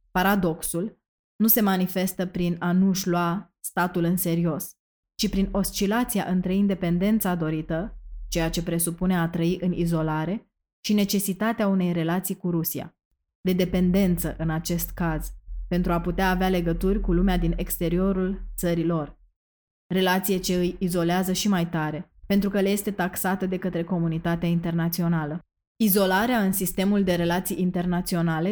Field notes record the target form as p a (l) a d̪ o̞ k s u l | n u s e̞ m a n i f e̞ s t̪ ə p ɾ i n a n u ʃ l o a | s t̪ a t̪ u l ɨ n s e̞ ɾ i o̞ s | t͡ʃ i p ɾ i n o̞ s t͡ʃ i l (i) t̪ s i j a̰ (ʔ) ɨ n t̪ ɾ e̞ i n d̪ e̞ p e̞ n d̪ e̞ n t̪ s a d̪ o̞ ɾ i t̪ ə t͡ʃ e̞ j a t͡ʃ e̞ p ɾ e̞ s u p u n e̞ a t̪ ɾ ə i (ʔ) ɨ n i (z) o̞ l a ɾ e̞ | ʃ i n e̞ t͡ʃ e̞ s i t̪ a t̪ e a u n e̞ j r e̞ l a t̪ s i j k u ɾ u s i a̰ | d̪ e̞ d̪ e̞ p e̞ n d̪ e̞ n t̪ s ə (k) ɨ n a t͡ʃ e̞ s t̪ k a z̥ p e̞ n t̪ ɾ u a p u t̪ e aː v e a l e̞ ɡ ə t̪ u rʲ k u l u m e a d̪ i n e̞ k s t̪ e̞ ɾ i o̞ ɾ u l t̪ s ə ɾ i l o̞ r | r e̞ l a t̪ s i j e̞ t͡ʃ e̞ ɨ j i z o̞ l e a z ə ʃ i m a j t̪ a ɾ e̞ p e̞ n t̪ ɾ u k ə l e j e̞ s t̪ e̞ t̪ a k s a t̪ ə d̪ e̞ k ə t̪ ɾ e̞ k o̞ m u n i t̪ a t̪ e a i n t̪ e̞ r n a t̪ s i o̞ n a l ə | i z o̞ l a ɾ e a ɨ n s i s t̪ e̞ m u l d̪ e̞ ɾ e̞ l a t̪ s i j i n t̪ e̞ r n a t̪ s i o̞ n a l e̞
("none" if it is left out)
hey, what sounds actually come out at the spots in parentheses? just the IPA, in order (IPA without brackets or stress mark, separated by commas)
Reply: ɾ, a, ʔ, ʔ, z, ʔ